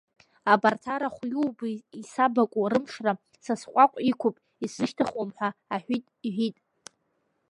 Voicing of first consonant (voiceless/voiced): voiced